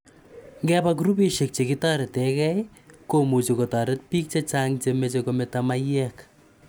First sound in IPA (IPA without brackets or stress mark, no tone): ŋ